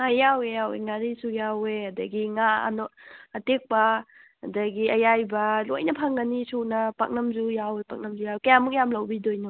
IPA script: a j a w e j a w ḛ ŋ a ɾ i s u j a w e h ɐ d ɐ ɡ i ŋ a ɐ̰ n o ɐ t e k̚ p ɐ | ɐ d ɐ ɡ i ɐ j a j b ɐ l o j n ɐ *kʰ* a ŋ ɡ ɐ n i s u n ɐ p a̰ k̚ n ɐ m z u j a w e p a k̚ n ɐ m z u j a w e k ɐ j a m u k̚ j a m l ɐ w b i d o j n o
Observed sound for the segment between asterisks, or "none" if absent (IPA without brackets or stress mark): pʰ